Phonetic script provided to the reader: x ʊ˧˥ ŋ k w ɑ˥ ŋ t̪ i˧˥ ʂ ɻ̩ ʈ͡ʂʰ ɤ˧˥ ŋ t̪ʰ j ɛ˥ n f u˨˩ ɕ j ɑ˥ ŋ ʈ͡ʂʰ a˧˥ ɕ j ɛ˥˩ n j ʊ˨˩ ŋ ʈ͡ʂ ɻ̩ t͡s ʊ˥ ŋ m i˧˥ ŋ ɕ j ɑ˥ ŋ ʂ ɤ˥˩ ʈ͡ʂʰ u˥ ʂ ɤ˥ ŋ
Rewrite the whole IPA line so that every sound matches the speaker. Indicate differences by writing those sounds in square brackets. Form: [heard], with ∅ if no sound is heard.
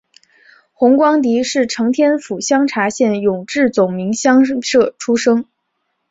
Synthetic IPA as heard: x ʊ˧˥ ŋ k w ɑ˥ ŋ t̪ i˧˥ ʂ ɻ̩ ʈ͡ʂʰ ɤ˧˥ ŋ t̪ʰ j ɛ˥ n f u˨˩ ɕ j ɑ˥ ŋ ʈ͡ʂʰ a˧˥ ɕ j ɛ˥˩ n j ʊ˨˩ ŋ ʈ͡ʂ ɻ̩ t͡s [ʊ˨˩] ŋ m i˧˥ ŋ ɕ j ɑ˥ ŋ ʂ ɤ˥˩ ʈ͡ʂʰ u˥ ʂ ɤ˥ ŋ